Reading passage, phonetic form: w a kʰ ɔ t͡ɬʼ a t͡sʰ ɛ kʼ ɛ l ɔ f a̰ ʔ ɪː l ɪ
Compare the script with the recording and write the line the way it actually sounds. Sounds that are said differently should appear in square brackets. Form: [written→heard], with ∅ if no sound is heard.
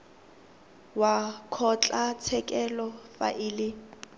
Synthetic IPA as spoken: w a kʰ ɔ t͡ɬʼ a t͡sʰ ɛ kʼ ɛ l ɔ f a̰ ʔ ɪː l ɪ